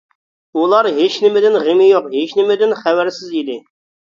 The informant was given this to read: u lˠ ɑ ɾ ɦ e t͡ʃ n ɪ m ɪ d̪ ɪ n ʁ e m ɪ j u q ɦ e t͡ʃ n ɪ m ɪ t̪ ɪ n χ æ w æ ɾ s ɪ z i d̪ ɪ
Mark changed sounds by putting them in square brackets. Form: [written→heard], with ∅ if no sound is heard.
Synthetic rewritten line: u lˠ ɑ ɾ ɦ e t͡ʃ n ɪ m ɪ d̪ ɪ n ʁ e m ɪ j [u→o] q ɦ e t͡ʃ n ɪ m ɪ [t̪→d̪] ɪ n χ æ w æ ɾ s ɪ z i d̪ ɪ